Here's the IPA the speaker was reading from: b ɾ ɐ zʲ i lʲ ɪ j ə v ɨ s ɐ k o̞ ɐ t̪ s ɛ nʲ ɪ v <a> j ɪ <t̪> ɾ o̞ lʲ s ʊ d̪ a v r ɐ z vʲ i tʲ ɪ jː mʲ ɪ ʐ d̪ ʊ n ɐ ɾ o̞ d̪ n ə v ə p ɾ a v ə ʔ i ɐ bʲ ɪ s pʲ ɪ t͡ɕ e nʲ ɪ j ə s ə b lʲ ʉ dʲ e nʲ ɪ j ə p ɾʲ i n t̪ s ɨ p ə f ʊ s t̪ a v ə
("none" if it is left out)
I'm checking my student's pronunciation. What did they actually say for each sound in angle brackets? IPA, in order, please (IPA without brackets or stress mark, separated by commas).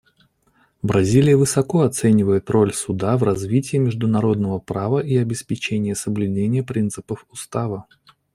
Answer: ə, t̪